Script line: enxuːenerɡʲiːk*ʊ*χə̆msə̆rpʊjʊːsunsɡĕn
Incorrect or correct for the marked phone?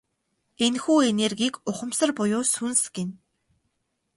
correct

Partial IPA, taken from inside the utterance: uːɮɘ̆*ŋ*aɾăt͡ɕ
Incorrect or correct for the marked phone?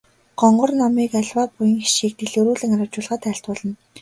correct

